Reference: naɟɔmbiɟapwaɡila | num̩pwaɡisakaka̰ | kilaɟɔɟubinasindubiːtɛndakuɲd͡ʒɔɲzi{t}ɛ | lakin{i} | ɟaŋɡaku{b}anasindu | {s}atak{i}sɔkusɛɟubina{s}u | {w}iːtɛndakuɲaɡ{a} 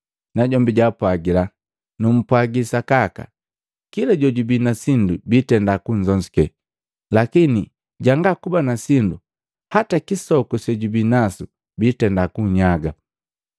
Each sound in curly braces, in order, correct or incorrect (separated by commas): incorrect, correct, correct, incorrect, correct, correct, incorrect, correct